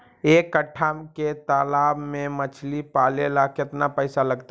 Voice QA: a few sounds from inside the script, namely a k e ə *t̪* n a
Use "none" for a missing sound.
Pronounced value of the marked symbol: t̪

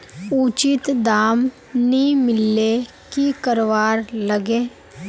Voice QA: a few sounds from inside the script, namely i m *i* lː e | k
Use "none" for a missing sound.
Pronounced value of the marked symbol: ɪ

